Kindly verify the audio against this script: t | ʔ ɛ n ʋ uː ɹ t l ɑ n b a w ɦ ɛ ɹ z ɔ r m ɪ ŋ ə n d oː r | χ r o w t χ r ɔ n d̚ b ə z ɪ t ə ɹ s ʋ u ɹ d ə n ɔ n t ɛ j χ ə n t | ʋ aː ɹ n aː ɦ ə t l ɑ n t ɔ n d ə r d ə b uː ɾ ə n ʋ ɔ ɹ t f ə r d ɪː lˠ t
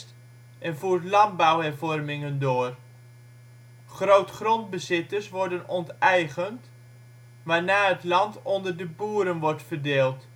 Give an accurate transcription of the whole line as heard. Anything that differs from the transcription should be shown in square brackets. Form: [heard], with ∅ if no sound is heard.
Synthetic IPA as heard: t | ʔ ɛ n [v] uː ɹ t l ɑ n b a w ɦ ɛ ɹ [v] ɔ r m ɪ ŋ ə n d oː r | χ r o w t χ r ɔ n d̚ b ə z ɪ t ə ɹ s ʋ [ɔ] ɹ d ə n ɔ n t ɛ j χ ə n t | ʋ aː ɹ n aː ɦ ə t l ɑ n t ɔ n d ə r d ə b uː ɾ ə n ʋ ɔ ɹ t f ə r d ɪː lˠ t